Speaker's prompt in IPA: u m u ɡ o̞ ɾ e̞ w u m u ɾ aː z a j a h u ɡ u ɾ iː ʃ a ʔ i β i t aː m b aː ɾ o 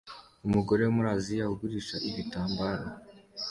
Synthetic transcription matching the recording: u m u ɡ o̞ ɾ e̞ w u m u ɾ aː z i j a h u ɡ u ɾ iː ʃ a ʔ i β i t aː m b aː ɾ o